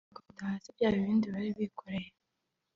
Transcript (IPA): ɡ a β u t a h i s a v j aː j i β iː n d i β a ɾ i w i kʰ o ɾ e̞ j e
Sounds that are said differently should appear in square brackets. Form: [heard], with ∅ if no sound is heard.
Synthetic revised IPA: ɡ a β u t a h [a] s [i] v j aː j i β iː n d i β a ɾ i [β] i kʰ o ɾ e̞ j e